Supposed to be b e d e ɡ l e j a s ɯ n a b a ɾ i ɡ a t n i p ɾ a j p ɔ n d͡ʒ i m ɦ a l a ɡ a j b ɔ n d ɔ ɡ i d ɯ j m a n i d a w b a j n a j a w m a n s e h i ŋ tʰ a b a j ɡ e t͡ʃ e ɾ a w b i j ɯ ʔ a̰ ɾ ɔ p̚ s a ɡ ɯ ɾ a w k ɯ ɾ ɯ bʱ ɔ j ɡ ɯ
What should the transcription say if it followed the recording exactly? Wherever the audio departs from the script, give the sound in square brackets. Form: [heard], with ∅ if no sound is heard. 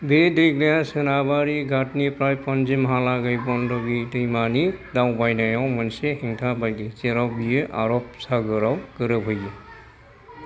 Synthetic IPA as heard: b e d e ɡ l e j a s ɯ n a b a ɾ i ɡ a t n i p ɾ a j p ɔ n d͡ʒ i m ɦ a l a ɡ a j b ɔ n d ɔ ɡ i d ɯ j m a n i d a w b a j n a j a w m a n s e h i ŋ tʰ a b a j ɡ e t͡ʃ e ɾ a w b i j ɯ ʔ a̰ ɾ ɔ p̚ s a ɡ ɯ ɾ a w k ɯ ɾ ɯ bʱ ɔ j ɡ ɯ